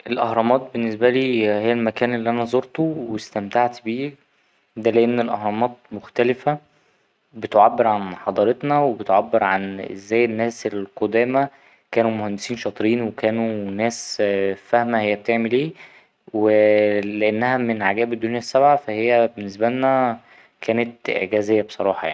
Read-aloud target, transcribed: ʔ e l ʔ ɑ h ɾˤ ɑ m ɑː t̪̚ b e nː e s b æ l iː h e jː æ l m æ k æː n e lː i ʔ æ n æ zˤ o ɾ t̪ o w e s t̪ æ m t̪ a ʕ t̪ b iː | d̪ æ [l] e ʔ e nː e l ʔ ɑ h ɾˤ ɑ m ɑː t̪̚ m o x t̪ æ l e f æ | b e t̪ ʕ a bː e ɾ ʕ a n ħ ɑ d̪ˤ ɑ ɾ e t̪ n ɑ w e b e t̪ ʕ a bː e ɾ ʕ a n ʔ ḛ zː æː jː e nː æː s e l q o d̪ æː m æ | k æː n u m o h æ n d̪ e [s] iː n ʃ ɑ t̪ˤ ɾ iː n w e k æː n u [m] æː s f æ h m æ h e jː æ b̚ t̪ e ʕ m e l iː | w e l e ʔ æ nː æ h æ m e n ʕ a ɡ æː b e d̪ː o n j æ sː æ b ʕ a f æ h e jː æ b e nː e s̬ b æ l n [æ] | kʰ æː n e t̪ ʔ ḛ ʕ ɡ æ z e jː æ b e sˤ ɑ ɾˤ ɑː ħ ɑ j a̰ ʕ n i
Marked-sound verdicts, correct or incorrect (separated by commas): correct, correct, incorrect, correct